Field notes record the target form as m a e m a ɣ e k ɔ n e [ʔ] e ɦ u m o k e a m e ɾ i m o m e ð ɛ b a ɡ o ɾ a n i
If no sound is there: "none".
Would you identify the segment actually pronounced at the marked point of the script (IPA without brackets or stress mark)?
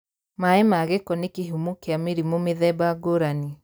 k